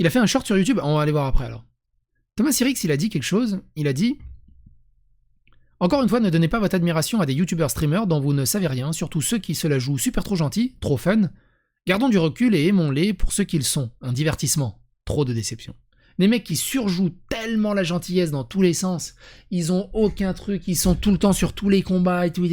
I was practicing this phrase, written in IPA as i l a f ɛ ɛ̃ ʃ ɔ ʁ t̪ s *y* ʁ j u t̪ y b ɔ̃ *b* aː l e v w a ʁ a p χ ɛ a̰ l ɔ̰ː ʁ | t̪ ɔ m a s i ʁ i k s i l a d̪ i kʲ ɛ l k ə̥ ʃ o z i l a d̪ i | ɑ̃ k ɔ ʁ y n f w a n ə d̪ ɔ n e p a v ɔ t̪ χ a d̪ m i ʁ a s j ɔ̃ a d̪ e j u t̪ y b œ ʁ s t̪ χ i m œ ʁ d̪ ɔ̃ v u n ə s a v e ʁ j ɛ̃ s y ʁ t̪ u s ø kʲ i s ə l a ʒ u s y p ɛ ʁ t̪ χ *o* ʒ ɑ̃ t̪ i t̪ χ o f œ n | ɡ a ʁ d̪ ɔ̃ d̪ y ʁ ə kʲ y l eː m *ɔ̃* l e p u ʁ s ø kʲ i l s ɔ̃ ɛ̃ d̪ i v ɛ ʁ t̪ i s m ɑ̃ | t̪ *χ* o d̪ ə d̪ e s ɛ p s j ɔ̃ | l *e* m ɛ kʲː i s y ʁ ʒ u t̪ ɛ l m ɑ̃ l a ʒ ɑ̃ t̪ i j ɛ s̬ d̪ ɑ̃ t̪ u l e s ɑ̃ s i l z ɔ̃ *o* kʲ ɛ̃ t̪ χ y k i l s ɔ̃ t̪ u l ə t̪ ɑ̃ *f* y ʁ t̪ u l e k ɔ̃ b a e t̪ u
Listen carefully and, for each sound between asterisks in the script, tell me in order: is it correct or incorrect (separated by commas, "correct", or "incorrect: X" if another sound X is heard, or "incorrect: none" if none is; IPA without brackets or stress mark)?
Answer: correct, incorrect: v, correct, correct, correct, correct, correct, incorrect: s